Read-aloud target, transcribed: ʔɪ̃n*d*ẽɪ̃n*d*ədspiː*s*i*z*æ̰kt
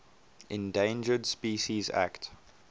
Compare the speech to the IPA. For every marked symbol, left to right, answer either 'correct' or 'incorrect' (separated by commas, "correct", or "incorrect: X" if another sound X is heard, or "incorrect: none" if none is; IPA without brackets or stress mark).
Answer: correct, incorrect: d͡ʒ, incorrect: ʃ, correct